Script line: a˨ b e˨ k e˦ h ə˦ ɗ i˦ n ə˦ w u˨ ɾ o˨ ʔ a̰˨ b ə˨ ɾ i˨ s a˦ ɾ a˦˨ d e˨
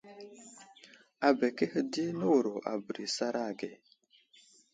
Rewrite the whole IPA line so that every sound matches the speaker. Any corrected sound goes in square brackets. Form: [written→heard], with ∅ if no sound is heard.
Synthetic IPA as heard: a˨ b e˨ k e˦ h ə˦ [ɗ→d] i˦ n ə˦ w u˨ ɾ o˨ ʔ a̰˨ b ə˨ ɾ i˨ s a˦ ɾ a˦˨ [d→ɡ] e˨